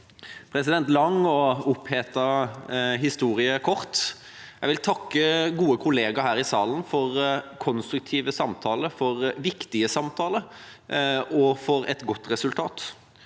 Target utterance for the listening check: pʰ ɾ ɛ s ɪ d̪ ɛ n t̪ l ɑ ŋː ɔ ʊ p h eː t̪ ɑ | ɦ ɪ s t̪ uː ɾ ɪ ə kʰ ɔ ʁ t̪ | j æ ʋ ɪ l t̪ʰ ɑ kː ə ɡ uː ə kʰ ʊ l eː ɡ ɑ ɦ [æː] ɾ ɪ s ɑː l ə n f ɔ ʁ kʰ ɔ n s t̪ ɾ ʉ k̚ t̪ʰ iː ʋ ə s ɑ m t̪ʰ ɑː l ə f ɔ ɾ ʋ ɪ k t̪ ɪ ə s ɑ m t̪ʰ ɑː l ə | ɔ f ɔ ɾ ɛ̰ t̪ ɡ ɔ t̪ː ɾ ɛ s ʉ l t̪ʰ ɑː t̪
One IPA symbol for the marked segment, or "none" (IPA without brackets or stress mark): æː